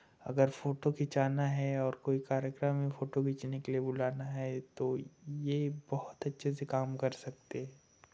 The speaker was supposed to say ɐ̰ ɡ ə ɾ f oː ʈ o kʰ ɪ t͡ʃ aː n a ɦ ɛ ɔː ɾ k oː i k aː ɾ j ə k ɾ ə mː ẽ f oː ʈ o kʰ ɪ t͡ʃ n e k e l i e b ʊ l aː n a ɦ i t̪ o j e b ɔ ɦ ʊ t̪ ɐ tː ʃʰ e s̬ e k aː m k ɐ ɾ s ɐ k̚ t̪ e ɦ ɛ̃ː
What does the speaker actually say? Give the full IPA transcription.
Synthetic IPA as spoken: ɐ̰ ɡ ə ɾ f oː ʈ o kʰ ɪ t͡ʃ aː n a ɦ ɛ ɔː ɾ k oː i k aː ɾ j ə k ɾ ə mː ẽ f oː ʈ o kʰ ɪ t͡ʃ n e k e l i e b ʊ l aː n a ɦ ɛ t̪ o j e b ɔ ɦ ʊ t̪ ɐ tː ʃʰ e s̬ e k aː m k ɐ ɾ s ɐ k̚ t̪ e ɦ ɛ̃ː